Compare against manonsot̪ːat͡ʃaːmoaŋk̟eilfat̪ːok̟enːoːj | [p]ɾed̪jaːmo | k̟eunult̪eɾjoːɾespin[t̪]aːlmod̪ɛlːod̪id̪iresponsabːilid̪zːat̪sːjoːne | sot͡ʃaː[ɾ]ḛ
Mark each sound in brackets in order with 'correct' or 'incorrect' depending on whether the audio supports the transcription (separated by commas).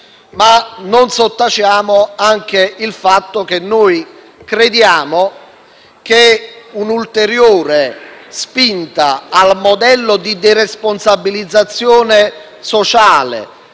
incorrect, correct, incorrect